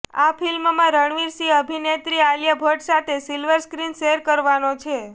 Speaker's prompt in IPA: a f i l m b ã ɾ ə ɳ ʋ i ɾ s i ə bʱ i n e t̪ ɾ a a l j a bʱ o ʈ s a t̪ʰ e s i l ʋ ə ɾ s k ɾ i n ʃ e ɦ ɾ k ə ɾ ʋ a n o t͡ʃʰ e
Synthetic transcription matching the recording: a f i l m m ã ɾ ə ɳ ʋ i ɾ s i ə bʱ i n e t̪ ɾ i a l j a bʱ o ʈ s a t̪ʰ e s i l ʋ ə ɾ s k ɾ i n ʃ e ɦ ɾ k ə ɾ ʋ a n o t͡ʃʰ e